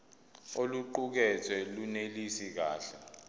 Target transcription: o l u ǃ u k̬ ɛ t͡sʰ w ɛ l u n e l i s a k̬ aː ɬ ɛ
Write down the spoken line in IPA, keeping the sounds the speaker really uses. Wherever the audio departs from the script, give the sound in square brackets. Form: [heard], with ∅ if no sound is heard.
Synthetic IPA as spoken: o l u ǃ u k̬ ɛ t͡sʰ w ɛ l u n e l i s [i] k̬ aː ɬ ɛ